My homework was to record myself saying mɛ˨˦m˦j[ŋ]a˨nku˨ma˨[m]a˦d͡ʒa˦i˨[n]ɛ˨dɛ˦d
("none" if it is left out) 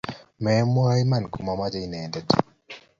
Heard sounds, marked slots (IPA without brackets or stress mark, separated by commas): m, m, n